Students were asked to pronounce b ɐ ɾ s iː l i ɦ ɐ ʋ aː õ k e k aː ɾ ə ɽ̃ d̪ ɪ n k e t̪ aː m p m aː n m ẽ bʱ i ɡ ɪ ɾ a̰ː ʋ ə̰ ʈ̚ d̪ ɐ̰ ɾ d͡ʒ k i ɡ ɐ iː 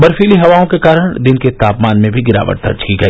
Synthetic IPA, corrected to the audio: b ɐ ɾ f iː l i ɦ ɐ ʋ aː õ k e k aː ɾ ə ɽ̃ d̪ ɪ n k e t̪ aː p m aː n m ẽ bʱ i ɡ ɪ ɾ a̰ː ʋ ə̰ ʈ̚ d̪ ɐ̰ ɾ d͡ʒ k i ɡ ɐ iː